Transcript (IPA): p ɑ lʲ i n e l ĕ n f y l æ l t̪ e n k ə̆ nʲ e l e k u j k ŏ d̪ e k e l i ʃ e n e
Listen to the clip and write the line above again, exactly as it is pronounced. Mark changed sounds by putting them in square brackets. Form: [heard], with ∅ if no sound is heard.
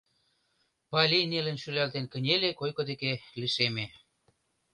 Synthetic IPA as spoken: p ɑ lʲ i n e l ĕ n [ʃ] y l æ l t̪ e n k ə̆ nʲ e l e k [o] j k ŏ d̪ e k e l i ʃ e [m] e